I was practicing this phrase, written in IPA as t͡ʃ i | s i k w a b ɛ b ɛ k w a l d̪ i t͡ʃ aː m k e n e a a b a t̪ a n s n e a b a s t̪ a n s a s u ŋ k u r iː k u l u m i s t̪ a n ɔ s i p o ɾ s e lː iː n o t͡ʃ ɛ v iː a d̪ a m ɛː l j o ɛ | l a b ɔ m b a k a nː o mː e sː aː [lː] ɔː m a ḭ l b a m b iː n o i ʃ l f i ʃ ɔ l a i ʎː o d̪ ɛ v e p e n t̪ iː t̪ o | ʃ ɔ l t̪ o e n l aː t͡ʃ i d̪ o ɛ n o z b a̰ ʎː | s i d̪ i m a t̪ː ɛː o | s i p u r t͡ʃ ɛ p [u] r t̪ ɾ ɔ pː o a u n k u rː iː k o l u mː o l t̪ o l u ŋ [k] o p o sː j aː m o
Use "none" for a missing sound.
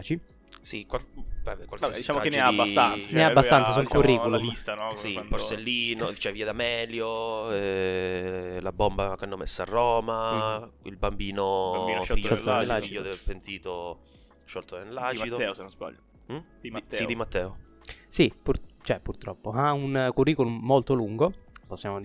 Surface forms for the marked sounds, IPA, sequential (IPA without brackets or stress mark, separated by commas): rː, u, ɡ